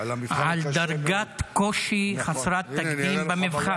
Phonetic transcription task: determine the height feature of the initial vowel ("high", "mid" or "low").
low